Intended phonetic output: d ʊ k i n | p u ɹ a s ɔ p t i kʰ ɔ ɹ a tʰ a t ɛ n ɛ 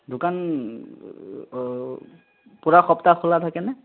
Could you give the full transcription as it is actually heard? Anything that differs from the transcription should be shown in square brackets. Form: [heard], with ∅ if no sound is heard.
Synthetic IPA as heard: d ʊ k [a] n | p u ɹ a [x] ɔ p t [a] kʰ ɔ [l] a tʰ a [k] ɛ n ɛ